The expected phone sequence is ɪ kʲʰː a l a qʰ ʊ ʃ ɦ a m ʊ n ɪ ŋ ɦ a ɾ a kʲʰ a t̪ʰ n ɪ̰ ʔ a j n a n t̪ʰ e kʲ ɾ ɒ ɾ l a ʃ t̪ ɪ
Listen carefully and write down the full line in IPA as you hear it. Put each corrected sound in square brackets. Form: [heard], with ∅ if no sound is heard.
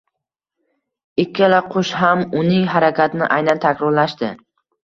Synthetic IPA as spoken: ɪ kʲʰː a l a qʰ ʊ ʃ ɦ a m ʊ n ɪ ŋ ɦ a ɾ a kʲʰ a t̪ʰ n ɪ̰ ʔ a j n a n t̪ʰ [a] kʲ ɾ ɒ ɾ l a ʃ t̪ ɪ

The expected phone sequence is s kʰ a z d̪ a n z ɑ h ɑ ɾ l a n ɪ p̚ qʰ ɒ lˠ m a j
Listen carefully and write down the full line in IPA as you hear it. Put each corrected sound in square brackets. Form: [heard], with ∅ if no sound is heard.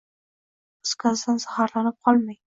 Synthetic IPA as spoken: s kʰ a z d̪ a n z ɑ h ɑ ɾ l a n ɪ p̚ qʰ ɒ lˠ m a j

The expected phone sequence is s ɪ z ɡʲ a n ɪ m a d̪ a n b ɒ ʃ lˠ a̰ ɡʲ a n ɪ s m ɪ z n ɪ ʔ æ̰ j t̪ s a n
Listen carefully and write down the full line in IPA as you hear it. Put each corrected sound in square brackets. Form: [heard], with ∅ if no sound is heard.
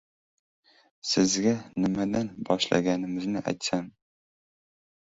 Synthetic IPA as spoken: s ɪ z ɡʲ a n ɪ m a d̪ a n b ɒ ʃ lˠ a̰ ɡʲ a n ɪ [∅] m ɪ z n ɪ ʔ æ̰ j t̪ s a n

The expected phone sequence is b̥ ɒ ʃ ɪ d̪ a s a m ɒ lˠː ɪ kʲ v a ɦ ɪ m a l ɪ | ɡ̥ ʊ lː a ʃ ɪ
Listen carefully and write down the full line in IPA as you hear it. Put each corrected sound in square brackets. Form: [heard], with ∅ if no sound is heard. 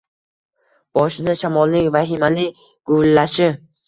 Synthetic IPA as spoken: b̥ ɒ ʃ ɪ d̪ a [ʃ] a m ɒ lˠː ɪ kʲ v a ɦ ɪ m a l ɪ | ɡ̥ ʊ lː a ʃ ɪ

